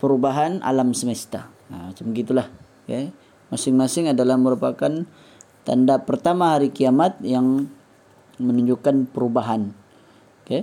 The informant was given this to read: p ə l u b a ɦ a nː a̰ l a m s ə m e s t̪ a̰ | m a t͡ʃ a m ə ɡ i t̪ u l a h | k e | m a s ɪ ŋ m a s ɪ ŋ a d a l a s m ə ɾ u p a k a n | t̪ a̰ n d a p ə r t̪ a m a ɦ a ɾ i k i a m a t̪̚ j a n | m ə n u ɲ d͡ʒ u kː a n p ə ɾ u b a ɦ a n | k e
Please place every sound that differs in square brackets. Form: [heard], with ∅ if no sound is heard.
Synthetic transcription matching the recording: p ə [ɾ] u b a ɦ a [n] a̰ l a m s ə m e s t̪ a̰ | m a t͡ʃ a m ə ɡ i t̪ u l a h | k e | m a s ɪ ŋ m a s ɪ ŋ a d a l a [h] m ə ɾ u p a k a n | t̪ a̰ n d a p ə r t̪ a m a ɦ a ɾ i k i a m a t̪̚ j a [ŋ] | m ə n u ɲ d͡ʒ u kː a n p ə ɾ u b a ɦ a n | k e